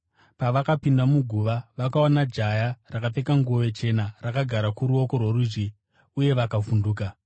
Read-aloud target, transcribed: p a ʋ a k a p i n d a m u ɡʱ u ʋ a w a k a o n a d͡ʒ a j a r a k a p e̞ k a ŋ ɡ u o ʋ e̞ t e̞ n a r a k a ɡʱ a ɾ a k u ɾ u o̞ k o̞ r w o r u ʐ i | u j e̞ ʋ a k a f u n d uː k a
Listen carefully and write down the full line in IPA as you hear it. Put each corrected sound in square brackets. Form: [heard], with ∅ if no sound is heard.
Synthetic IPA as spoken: p a ʋ a k a p i n d a m u ɡʱ u ʋ a [ʋ] a k a o n a d͡ʒ a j a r a k a p e̞ k a ŋ ɡ u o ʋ e̞ [t͡ʃ] e̞ n a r a k a ɡʱ a ɾ a k u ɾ u o̞ k o̞ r w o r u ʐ i | u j e̞ ʋ a k a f u n d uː k a